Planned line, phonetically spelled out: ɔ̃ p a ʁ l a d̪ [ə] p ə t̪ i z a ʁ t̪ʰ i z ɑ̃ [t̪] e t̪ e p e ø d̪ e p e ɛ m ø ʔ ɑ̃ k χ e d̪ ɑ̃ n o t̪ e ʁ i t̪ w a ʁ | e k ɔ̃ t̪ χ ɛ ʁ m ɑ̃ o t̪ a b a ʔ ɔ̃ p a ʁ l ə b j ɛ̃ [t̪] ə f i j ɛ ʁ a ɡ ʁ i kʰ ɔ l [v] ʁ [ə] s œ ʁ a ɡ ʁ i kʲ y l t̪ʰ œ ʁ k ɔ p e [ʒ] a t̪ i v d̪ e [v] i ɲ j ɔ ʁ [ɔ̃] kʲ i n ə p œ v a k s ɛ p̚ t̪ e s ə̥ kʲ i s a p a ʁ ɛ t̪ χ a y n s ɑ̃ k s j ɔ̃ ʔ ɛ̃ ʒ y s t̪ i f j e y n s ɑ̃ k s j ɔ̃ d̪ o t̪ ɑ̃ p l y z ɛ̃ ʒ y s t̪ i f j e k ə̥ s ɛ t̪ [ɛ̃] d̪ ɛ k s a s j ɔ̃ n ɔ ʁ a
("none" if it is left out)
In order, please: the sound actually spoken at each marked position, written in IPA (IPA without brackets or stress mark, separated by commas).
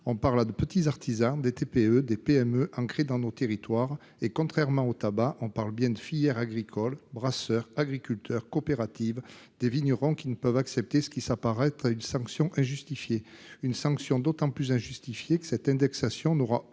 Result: ə, d̪, d̪, b, a, ʁ, v, ɔ̃, ɛ̃